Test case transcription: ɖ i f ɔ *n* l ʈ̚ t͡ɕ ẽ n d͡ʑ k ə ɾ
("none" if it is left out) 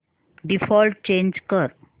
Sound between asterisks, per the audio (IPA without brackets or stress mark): none